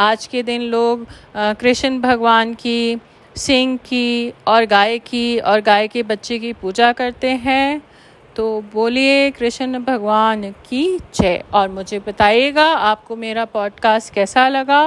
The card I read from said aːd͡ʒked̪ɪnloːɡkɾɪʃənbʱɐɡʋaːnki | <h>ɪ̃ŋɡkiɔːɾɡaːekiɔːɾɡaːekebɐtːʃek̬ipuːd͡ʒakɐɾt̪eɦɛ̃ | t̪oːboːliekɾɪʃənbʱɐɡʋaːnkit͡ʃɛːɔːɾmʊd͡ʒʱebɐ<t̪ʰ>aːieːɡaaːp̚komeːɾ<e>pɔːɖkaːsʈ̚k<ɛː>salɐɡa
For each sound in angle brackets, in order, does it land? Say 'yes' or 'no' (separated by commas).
no, no, no, yes